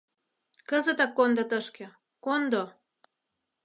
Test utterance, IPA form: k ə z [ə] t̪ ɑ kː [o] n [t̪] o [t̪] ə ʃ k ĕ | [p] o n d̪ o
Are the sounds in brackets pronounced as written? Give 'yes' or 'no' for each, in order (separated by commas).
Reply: yes, yes, no, yes, no